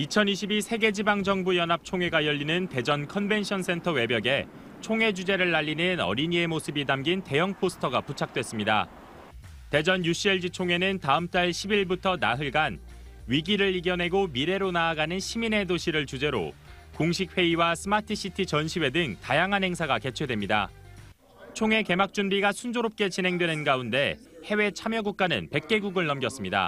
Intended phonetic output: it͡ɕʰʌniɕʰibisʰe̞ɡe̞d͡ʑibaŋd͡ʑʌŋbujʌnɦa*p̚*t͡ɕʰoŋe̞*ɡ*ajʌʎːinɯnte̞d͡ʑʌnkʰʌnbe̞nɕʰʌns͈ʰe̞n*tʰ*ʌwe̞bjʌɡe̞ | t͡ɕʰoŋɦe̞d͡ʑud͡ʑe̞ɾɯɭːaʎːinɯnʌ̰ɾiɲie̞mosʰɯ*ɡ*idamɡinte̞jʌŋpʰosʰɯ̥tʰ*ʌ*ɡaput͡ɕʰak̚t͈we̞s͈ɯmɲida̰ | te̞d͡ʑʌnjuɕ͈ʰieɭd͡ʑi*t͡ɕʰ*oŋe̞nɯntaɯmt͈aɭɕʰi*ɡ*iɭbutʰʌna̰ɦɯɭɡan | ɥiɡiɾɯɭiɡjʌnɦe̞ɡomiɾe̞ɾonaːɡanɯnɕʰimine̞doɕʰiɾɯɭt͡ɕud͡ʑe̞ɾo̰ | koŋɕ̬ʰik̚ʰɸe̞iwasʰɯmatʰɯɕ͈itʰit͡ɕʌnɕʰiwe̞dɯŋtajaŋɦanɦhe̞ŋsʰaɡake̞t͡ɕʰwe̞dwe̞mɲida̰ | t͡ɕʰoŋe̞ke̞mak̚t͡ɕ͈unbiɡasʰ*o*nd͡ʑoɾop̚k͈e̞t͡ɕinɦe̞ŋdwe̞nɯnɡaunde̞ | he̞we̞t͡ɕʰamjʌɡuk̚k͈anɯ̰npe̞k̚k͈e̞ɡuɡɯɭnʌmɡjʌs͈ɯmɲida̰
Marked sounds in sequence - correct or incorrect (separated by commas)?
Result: correct, correct, correct, incorrect, correct, correct, incorrect, incorrect